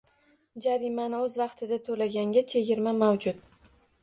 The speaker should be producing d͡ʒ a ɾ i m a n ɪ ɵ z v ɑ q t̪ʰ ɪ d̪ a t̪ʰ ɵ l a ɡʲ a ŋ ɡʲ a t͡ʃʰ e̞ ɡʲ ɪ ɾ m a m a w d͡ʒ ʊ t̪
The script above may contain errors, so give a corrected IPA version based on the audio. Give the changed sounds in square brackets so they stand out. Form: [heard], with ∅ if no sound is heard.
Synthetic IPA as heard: d͡ʒ a ɾ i m a n ɪ ɵ z v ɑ q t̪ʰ ɪ d̪ a t̪ʰ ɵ l a ɡʲ a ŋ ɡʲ a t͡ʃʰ e̞ ɡʲ ɪ ɾ m a m a w d͡ʒ ʊ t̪